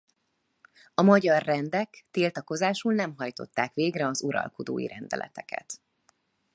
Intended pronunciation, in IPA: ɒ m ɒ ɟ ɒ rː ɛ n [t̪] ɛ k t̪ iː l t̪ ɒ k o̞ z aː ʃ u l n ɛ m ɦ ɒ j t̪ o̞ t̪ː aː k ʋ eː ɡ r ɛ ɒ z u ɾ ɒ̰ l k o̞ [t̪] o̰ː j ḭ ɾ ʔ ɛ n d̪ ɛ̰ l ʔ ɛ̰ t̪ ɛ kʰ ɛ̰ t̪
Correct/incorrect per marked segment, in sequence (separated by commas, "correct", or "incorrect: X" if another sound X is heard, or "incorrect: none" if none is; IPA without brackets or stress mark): incorrect: d̪, incorrect: d̪